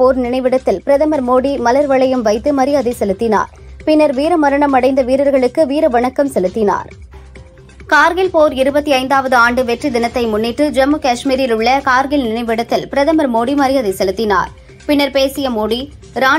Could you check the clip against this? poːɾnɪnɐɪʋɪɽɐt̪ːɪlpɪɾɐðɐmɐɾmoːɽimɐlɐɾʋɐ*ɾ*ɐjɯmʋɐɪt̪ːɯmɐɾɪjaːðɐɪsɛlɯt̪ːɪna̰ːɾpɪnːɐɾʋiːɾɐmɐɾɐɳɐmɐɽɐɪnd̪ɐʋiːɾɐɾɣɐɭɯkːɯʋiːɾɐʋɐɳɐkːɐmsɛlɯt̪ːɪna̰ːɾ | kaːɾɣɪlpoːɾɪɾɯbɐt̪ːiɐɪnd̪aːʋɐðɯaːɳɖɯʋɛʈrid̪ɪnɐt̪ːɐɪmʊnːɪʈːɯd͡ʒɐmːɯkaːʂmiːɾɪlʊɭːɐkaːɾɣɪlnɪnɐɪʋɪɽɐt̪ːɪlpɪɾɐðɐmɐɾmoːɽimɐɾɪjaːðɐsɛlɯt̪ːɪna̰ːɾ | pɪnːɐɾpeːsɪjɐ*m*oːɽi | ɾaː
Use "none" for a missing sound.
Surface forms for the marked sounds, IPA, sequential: ɭ, m

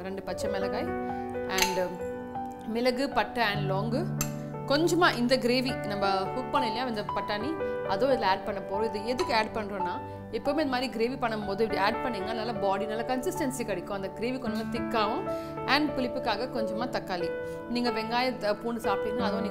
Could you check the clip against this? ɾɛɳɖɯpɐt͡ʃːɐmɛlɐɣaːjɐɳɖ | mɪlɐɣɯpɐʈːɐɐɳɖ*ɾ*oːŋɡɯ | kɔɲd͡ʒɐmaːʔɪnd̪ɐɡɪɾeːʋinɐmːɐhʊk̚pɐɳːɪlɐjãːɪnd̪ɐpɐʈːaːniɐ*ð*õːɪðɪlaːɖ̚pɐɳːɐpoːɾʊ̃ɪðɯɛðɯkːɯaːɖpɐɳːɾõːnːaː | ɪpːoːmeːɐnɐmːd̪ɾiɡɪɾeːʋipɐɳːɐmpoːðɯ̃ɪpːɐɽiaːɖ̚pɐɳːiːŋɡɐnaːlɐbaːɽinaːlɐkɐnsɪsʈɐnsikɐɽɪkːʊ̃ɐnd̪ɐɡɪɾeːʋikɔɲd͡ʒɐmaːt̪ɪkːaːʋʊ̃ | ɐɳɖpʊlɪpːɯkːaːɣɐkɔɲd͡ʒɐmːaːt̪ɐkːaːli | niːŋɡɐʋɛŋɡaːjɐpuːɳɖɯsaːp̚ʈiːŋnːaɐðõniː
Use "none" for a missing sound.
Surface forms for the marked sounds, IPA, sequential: l, ð

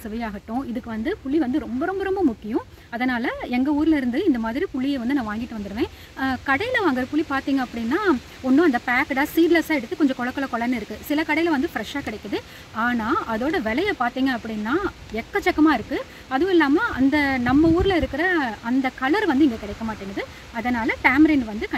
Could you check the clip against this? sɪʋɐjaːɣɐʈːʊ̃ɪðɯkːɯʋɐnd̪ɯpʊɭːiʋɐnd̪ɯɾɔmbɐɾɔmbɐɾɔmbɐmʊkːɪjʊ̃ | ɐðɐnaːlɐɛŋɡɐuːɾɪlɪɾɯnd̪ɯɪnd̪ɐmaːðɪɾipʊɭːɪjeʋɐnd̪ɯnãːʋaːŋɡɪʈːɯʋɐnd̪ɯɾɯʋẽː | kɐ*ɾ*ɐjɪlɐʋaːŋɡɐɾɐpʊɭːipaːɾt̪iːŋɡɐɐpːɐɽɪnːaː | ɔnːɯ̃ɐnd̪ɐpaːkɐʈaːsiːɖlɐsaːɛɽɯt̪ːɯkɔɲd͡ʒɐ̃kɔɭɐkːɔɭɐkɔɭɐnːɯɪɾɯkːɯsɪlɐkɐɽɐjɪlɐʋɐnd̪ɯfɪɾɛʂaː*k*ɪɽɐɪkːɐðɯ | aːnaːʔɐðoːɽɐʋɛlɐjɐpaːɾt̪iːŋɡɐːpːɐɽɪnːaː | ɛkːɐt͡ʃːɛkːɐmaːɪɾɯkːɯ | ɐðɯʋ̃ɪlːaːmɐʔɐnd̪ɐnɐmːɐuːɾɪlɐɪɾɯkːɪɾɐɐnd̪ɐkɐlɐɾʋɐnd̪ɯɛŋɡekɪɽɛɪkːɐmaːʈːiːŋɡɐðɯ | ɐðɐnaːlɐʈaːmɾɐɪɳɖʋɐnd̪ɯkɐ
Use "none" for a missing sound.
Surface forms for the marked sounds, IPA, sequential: ɽ, k

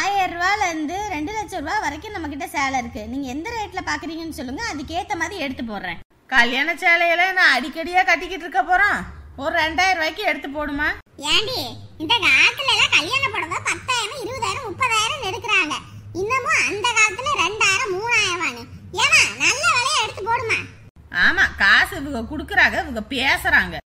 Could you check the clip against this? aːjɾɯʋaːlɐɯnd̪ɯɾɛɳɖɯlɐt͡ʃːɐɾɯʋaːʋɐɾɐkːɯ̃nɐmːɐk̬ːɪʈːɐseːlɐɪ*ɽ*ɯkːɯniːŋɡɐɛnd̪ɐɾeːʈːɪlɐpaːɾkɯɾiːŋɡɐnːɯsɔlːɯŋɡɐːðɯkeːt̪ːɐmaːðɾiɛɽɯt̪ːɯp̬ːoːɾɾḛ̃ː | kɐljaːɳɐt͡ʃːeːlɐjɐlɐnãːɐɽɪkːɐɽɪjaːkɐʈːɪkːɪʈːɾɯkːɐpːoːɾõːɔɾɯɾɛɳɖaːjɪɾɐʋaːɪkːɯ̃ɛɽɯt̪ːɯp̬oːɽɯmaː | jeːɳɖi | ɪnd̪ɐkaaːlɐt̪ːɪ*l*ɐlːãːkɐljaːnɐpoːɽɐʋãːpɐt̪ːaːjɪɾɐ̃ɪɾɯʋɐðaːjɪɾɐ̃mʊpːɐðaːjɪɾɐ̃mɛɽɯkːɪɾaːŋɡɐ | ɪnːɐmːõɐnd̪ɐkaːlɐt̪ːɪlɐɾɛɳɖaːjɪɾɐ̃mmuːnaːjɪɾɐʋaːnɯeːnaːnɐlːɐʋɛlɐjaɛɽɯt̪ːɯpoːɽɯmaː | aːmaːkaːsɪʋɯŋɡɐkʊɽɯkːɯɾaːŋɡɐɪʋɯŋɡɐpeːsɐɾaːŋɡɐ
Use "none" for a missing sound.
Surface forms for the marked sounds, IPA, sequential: ɾ, l

